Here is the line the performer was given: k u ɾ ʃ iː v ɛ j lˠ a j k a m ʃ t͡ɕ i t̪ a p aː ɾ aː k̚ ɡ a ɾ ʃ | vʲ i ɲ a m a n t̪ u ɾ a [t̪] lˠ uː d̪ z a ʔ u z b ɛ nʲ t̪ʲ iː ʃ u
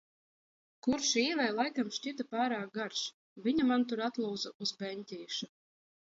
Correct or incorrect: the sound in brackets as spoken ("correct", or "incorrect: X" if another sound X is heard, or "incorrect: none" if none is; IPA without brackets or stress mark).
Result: correct